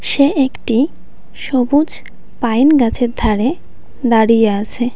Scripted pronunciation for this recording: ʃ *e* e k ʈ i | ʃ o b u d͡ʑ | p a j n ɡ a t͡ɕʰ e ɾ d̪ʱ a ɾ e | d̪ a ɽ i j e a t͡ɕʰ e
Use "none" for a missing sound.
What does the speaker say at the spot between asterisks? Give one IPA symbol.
e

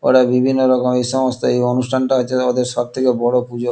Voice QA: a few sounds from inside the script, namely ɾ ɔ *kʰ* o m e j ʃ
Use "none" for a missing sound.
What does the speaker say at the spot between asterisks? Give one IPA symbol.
k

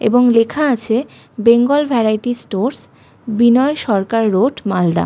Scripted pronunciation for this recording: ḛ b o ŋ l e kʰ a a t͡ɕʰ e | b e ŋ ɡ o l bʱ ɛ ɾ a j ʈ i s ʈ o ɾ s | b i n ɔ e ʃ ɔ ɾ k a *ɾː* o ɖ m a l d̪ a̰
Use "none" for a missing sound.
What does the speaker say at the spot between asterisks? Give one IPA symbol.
ɾː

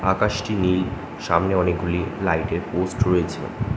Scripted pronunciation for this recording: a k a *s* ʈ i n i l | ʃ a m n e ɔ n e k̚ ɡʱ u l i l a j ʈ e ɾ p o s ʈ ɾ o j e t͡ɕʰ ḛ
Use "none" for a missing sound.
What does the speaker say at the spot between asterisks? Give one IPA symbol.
ʃ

